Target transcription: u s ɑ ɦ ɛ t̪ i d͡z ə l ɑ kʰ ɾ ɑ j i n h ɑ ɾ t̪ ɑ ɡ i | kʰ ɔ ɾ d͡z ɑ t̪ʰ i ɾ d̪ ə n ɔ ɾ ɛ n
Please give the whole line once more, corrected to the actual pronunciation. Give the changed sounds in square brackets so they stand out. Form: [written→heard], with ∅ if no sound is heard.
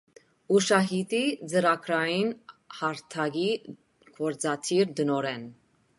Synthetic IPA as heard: u [s→ʃ] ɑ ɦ [ɛ→i] t̪ i d͡z ə [l→ɾ] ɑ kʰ ɾ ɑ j i n h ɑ ɾ [t̪→t̪ʰ] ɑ ɡ i | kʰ ɔ ɾ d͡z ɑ t̪ʰ i ɾ d̪ ə n ɔ ɾ ɛ n